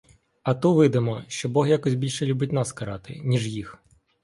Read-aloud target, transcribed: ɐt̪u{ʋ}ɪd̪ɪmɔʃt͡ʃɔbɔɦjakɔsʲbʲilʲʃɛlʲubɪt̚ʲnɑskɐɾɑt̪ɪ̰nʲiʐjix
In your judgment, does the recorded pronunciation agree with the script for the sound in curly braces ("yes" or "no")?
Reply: yes